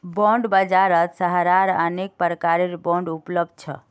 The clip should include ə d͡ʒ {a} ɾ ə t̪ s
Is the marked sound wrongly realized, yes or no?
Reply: no